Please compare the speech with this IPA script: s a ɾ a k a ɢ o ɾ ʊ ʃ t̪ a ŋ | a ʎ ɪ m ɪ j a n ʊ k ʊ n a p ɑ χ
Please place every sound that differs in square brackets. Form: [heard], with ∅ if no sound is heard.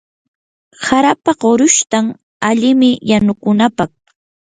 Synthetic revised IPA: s a ɾ a [p] a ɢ o ɾ ʊ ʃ t̪ a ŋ | a ʎ ɪ m ɪ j a n ʊ k ʊ n a p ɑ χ